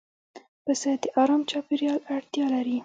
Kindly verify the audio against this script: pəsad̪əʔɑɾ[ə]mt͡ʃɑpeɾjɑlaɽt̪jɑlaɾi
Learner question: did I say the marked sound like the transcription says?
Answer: no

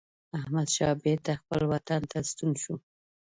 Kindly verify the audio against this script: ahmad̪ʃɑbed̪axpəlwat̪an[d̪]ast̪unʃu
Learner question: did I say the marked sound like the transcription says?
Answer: no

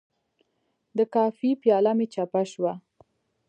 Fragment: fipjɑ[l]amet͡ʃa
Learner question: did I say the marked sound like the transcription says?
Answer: yes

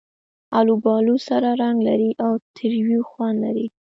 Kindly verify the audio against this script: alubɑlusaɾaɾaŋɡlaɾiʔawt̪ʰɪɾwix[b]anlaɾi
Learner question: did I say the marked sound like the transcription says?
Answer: no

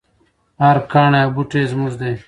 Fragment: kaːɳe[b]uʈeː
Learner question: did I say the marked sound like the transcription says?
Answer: yes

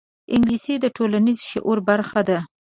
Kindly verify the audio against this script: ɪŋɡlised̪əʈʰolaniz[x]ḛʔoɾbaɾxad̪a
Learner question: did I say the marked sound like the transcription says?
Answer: no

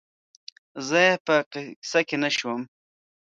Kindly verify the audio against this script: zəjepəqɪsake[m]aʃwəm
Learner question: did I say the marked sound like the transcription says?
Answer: no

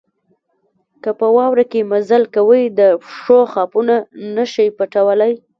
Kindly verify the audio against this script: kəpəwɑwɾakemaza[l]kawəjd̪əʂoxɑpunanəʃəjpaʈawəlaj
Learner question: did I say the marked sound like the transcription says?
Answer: yes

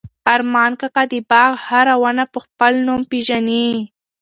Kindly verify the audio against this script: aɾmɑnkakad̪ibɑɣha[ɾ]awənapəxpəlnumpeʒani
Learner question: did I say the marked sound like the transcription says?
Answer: yes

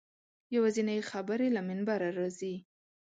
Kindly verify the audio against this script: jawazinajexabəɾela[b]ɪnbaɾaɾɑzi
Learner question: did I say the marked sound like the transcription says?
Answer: no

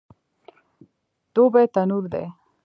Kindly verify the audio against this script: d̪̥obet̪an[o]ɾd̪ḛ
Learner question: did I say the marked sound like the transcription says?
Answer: no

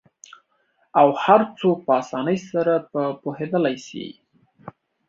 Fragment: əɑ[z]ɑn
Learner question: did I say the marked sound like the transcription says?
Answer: no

